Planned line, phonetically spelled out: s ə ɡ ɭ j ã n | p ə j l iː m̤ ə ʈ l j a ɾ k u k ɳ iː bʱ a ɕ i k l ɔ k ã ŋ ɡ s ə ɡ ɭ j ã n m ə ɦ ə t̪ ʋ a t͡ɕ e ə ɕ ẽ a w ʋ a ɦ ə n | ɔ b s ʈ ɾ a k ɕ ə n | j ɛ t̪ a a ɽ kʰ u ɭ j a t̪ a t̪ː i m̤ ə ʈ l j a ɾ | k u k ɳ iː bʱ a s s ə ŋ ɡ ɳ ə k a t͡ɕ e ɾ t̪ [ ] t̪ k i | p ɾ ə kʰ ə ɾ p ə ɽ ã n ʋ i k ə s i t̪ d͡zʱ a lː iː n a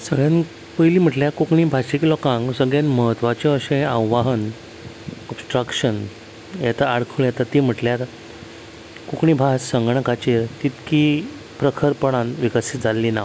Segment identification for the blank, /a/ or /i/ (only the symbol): i